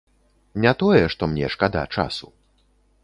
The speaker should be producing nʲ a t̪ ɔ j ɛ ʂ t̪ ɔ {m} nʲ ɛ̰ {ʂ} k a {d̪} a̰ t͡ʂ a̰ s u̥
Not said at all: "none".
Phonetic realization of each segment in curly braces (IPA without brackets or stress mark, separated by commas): m, ʂ, d̪